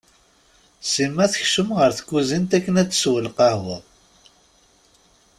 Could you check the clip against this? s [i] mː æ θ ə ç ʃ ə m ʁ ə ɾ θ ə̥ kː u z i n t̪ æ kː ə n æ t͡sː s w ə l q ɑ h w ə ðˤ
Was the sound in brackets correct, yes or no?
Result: yes